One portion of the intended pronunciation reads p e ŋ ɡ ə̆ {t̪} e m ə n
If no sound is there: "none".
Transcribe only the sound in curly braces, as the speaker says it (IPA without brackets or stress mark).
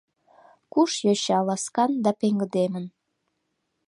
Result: d̪